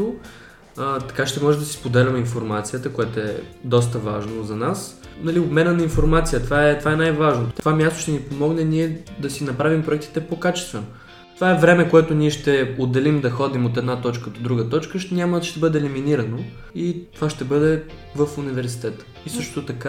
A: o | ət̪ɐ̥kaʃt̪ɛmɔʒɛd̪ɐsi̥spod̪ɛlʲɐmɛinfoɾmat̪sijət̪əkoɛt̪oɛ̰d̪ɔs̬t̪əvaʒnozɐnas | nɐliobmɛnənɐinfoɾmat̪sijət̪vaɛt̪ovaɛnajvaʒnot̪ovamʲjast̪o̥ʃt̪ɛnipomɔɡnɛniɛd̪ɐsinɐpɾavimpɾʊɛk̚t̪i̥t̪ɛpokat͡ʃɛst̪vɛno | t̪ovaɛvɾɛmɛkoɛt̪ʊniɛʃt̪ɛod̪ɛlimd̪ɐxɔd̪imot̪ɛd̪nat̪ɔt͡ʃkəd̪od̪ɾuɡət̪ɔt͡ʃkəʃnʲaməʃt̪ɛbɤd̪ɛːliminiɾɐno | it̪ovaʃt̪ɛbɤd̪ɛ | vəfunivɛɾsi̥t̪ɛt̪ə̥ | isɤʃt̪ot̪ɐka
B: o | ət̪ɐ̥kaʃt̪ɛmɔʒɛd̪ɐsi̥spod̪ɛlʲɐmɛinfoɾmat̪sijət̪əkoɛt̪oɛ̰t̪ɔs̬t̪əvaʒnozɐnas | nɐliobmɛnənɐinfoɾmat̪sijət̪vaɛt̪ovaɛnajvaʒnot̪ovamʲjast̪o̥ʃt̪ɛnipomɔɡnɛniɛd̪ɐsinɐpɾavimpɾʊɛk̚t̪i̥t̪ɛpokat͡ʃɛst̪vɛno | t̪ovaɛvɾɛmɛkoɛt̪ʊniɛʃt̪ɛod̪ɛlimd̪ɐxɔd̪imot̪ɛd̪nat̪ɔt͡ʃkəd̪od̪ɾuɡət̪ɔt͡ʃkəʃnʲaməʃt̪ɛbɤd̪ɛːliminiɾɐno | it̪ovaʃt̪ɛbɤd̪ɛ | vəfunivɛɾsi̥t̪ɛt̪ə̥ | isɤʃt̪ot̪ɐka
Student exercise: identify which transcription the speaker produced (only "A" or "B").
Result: A